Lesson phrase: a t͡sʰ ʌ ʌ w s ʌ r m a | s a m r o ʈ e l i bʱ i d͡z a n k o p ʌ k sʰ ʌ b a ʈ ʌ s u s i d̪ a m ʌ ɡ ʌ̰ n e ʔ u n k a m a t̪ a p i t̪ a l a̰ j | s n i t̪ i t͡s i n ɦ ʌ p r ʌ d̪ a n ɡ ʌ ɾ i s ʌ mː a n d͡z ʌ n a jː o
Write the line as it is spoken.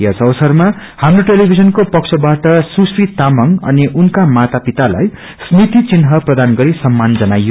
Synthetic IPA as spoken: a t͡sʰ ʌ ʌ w s ʌ r m a | h a m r o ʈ e l i bʱ i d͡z ʌ n k o p ʌ k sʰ ʌ b a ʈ ʌ s u s i t̪ a m ʌ ŋ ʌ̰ n i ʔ u n k a m a t̪ a p i t̪ a l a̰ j | s n i t̪ i t͡s i n ɦ ʌ p r ʌ d̪ a n ɡ ʌ ɾ i s ʌ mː a n d͡z ʌ n a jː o